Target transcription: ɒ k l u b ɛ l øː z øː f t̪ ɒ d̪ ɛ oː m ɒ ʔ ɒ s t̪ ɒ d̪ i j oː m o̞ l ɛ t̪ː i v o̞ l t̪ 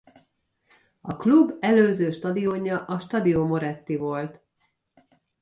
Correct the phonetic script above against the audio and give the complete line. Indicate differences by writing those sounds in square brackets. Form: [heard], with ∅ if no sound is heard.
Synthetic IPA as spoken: ɒ k l u b ɛ l øː z øː [ʃ] t̪ ɒ d̪ [i] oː [ɲ] ɒ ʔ ɒ [ʃ] t̪ ɒ d̪ i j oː m o̞ [ɾ] ɛ t̪ː i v o̞ l t̪

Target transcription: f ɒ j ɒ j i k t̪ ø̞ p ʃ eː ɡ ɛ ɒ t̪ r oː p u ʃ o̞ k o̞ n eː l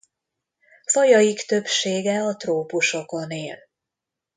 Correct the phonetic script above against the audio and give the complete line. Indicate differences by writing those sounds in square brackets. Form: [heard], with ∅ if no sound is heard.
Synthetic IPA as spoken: f ɒ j ɒ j i k t̪ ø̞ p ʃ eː ɡ ɛ ɒ t̪ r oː p u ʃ o̞ k o̞ n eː l

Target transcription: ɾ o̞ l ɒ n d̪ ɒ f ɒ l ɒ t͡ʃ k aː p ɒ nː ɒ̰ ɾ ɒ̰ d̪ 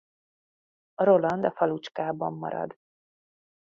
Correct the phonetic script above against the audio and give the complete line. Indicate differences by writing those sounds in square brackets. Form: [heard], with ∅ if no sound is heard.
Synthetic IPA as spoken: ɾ o̞ l ɒ n d̪ ɒ f ɒ l [u] t͡ʃ k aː [b] ɒ [mː] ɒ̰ ɾ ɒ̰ d̪

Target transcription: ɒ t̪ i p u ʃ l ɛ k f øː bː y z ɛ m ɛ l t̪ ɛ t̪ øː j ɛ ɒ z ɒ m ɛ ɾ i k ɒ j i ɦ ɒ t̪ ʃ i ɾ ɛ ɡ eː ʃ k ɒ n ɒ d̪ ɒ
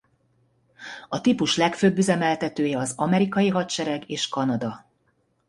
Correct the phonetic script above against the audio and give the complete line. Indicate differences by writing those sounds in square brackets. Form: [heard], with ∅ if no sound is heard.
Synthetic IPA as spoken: ɒ t̪ i p u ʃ l ɛ k f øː bː y z ɛ m ɛ l t̪ ɛ t̪ øː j ɛ ɒ z ɒ m ɛ ɾ i k ɒ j i ɦ ɒ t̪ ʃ [ɛ] ɾ ɛ ɡ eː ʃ k ɒ n ɒ d̪ ɒ

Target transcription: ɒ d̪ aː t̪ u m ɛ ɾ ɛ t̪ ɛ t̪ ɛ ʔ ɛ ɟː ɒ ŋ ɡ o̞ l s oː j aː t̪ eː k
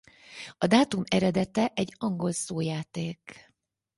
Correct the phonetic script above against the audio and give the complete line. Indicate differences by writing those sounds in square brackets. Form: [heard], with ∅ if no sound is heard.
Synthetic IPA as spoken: ɒ d̪ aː t̪ u m ɛ ɾ ɛ [d̪] ɛ t̪ ɛ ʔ ɛ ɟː ɒ ŋ ɡ o̞ l s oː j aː t̪ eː k

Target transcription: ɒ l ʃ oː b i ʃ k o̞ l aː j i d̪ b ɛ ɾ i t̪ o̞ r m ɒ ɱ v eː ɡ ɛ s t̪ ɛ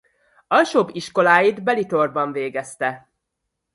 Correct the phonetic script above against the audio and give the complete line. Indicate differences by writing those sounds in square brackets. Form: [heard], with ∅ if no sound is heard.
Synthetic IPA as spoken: ɒ l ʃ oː b i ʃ k o̞ l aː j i d̪ b ɛ [l] i t̪ o̞ r [b] ɒ ɱ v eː ɡ ɛ s t̪ ɛ

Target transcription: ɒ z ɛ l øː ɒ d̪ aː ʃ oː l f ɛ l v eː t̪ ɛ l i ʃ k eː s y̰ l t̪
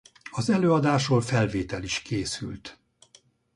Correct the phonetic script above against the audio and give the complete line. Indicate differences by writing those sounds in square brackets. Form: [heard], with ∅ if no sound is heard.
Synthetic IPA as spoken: ɒ z ɛ l øː ɒ d̪ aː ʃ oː l f ɛ l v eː t̪ ɛ l i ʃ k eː s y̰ l t̪

